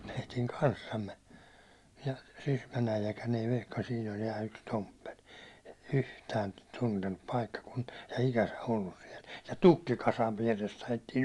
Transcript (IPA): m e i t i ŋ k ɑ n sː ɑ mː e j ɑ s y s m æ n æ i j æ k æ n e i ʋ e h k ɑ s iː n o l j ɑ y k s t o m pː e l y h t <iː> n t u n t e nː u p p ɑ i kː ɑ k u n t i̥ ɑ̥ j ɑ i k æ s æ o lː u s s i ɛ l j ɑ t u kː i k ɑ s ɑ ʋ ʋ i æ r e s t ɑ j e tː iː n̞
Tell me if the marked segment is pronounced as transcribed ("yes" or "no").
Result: no